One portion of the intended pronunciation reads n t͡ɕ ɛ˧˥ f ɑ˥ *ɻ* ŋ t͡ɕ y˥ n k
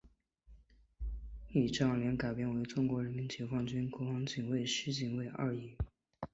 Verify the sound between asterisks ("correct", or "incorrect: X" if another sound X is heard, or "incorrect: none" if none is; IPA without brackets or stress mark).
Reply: incorrect: none